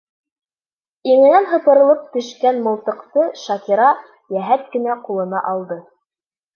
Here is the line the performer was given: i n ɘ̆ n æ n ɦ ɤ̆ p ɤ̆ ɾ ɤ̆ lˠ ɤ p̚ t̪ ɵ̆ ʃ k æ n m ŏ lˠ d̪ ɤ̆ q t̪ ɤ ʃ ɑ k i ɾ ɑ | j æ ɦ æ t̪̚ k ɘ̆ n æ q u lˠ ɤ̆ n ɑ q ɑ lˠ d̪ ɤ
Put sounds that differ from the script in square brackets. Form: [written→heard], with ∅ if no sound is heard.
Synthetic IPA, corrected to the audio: i [n→ŋ] ɘ̆ n æ n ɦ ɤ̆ p ɤ̆ ɾ ɤ̆ lˠ ɤ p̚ t̪ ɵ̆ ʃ k æ n m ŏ lˠ [d̪→t̪] ɤ̆ q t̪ ɤ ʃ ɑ k i ɾ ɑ | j æ ɦ æ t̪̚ k ɘ̆ n æ q u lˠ ɤ̆ n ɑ [q→ʔ] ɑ lˠ d̪ ɤ